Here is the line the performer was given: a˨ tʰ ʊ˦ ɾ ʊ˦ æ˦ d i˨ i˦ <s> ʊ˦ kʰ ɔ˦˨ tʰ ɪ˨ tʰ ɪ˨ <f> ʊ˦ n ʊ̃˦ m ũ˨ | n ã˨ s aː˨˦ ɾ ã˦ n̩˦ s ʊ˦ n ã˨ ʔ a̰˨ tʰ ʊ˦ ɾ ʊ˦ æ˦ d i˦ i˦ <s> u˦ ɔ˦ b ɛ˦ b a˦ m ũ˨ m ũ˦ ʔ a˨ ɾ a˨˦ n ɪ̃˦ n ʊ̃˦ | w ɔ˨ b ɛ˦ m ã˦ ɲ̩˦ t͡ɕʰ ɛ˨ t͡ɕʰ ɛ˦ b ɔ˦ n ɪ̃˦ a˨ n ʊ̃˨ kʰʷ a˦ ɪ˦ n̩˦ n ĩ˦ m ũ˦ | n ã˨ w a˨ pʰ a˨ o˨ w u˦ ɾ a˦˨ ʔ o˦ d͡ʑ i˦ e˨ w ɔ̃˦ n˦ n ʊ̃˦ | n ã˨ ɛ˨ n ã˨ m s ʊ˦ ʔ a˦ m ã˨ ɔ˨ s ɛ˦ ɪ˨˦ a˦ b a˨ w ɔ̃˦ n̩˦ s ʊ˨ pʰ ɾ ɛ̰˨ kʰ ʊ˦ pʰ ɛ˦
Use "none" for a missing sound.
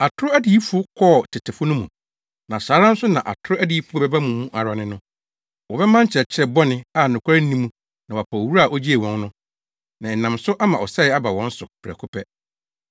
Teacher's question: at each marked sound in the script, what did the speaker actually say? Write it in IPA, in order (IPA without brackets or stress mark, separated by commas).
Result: f, f, f